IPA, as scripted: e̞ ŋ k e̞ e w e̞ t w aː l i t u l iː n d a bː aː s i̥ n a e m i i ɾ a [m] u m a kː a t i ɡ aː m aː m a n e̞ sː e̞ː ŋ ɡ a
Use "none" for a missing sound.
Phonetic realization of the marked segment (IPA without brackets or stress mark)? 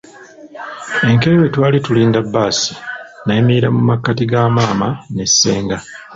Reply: m